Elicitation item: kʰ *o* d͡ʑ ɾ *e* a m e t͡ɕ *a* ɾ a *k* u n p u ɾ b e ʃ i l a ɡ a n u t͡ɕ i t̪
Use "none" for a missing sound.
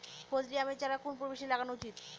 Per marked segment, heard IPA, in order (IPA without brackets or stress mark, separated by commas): o, i, a, k